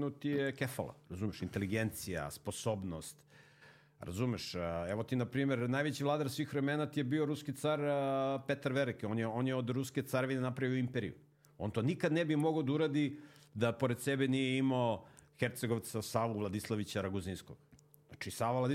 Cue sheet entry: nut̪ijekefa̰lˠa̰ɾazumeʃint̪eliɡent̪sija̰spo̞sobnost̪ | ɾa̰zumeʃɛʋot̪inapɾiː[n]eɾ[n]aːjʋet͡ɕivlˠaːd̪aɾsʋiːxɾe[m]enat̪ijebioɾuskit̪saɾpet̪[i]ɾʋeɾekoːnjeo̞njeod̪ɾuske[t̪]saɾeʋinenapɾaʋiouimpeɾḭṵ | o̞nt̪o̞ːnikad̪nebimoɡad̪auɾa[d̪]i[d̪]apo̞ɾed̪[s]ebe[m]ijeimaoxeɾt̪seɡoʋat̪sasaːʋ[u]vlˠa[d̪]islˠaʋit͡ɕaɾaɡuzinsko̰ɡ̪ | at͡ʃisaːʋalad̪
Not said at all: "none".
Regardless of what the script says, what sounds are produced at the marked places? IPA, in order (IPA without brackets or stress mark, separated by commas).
m, n, m, a, t̪, d̪, d̪, s, n, u, d̪